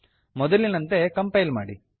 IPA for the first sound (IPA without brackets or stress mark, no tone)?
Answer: m